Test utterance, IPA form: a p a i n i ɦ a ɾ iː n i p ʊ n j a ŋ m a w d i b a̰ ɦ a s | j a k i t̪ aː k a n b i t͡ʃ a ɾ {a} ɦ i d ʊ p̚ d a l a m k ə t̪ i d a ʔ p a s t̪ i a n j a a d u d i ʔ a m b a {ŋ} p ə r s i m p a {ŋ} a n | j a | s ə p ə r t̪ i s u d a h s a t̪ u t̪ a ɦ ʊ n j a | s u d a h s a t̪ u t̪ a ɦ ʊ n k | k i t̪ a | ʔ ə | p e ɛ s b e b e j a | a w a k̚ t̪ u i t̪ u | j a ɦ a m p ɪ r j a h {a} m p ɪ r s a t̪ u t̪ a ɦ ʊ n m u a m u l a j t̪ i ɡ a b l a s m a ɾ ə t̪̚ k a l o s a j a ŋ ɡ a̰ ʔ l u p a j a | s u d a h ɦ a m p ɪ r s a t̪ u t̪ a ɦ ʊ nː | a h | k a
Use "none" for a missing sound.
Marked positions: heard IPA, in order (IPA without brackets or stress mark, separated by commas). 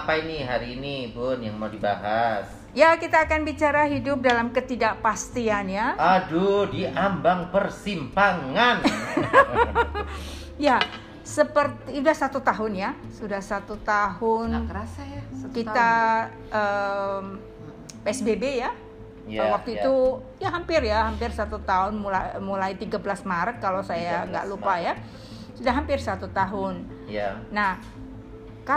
a, ŋ, ŋ, a